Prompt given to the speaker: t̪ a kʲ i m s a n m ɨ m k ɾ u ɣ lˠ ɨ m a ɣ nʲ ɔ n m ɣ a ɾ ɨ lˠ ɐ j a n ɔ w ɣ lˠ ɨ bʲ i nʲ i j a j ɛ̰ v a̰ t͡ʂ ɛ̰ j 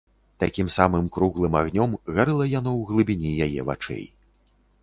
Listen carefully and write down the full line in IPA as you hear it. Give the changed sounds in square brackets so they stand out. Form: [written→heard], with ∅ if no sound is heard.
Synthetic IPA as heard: t̪ a kʲ i m s a [n→∅] m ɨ m k ɾ u ɣ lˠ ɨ m a ɣ nʲ ɔ [n→∅] m ɣ a ɾ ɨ lˠ ɐ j a n ɔ w ɣ lˠ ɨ bʲ i nʲ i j a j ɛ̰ v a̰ t͡ʂ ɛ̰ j